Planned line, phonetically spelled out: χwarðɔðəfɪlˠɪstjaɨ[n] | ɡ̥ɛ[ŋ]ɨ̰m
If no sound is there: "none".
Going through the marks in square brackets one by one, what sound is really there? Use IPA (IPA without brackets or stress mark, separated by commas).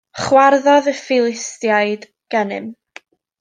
d, n